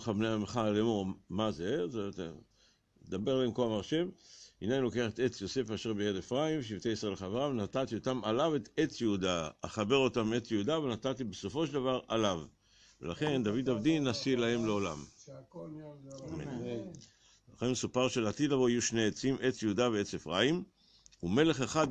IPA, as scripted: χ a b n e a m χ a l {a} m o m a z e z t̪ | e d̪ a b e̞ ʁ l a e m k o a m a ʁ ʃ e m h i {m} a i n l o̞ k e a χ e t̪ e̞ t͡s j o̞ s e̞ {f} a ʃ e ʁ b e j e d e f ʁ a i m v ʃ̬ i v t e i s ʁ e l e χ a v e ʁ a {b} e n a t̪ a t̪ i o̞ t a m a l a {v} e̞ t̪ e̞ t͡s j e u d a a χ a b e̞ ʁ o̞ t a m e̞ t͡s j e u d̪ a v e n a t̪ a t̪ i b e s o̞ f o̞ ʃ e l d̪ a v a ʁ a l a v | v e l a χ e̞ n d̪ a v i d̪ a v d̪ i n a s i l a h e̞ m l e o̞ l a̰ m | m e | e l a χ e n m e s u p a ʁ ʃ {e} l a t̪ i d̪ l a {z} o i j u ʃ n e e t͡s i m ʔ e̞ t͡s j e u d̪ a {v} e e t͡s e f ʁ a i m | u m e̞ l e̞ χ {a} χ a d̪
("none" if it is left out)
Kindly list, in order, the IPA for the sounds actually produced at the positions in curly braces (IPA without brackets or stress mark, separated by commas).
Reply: e, n, f, v, v, e, v, v, e